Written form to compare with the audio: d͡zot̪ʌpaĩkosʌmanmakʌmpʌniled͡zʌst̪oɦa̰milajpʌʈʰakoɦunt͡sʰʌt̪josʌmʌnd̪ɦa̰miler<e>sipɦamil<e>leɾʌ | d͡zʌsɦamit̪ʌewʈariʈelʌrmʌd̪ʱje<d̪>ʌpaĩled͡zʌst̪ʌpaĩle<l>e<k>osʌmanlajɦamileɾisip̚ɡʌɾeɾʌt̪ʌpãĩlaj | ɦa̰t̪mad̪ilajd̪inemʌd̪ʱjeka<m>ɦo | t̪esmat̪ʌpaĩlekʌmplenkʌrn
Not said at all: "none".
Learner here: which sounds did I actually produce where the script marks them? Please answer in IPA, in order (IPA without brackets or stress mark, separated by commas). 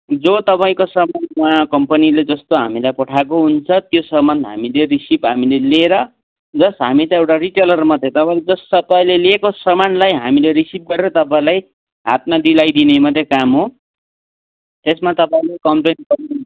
i, e, t̪, l, k, m